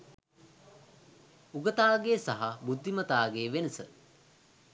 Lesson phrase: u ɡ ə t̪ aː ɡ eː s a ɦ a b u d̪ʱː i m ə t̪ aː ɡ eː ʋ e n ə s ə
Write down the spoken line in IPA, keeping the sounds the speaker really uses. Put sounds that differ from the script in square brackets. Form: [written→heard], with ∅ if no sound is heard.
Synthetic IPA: u ɡ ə t̪ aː ɡ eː s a ɦ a b u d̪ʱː i m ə t̪ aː ɡ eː ʋ e n ə s ə

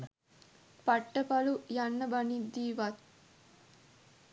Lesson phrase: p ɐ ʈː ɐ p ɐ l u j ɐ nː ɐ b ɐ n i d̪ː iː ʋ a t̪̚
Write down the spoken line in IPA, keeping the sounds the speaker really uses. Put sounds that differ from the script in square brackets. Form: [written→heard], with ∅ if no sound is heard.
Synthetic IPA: p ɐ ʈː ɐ p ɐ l u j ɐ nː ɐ b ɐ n i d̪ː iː ʋ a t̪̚

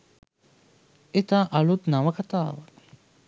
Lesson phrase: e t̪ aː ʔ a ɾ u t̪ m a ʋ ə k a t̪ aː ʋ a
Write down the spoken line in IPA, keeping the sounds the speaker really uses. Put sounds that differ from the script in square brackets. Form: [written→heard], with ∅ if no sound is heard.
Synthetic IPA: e t̪ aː ʔ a [ɾ→l] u t̪ [m→n] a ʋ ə k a t̪ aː ʋ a

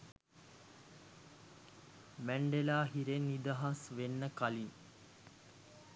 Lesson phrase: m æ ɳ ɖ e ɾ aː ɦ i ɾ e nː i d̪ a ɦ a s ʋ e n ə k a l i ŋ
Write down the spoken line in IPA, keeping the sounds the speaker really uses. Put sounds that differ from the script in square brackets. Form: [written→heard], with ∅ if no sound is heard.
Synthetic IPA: m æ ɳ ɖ e [ɾ→l] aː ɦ i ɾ e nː i d̪ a ɦ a s ʋ e [n→nː] ə k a l i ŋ

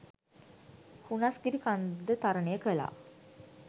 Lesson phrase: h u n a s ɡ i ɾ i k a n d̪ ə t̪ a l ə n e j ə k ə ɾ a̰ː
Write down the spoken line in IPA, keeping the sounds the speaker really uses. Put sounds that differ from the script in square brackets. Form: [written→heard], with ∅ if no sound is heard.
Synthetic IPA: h u n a s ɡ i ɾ i k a n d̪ ə t̪ a [l→ɾ] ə n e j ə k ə [ɾ→l] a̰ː

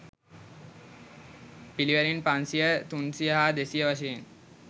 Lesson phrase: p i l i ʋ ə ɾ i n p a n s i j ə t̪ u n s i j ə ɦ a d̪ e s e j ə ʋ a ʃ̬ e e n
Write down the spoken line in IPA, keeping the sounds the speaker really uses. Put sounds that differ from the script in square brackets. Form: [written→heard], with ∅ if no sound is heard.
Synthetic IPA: p i l i ʋ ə ɾ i n p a n s i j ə t̪ u n s i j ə ɦ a d̪ e s [e→i] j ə ʋ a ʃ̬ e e n

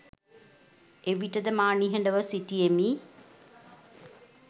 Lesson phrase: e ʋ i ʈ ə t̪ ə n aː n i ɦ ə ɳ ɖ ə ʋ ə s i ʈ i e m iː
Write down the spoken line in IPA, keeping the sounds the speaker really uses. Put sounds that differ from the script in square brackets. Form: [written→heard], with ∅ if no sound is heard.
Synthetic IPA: e ʋ i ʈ ə [t̪→d̪] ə [n→m] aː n i ɦ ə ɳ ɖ ə ʋ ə s i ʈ i e m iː

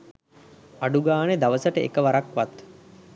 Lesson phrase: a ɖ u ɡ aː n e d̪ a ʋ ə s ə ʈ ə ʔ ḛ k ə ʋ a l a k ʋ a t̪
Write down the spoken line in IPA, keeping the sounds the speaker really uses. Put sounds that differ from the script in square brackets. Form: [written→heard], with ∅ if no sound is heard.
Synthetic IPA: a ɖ u ɡ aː n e d̪ a ʋ ə s ə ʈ ə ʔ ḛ k ə ʋ a [l→ɾ] a k ʋ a t̪

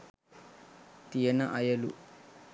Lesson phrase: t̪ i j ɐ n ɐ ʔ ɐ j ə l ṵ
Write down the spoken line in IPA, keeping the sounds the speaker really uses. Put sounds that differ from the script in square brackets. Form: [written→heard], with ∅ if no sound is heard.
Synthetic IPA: t̪ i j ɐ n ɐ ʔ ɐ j [ə→ɐ] l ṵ

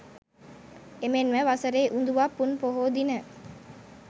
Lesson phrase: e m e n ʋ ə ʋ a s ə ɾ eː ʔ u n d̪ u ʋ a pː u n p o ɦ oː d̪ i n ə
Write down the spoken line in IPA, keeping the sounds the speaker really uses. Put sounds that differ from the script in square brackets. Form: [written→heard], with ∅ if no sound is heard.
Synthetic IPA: e m e n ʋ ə ʋ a s ə ɾ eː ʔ u n d̪ u ʋ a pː u n p o ɦ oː d̪ i n ə

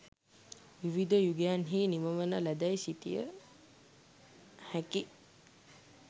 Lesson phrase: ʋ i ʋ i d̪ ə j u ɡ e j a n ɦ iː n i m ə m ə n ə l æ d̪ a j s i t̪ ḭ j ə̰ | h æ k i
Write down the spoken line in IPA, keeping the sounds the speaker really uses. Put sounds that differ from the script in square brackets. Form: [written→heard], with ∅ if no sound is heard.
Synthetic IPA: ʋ i ʋ i d̪ ə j u ɡ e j a n ɦ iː n i m ə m ə n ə l æ d̪ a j s i t̪ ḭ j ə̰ | h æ k i

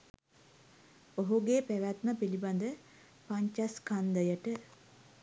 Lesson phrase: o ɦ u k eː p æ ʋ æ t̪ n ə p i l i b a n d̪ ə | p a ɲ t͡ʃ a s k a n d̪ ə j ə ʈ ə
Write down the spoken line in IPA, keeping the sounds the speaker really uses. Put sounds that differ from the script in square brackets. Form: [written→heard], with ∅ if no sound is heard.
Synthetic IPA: o ɦ u [k→ɡ] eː p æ ʋ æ t̪ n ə p i l i b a n d̪ ə | p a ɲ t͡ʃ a s k a n d̪ ə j ə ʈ ə

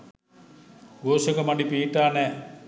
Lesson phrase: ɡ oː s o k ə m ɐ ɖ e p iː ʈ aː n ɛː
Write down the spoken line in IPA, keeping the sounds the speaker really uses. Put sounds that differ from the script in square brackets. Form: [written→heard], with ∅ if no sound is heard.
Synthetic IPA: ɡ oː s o k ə m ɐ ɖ [e→i] p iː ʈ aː n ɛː

